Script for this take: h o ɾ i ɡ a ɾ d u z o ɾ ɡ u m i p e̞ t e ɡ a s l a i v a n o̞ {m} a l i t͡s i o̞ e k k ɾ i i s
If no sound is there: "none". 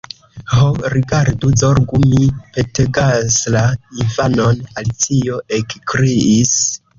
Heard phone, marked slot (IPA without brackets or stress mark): n